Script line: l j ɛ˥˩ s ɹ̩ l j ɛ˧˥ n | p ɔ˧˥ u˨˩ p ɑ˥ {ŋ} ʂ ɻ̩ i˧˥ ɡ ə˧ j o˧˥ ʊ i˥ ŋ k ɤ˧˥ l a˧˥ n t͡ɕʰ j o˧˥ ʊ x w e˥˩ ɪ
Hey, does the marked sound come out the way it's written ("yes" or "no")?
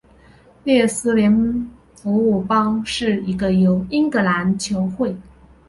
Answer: yes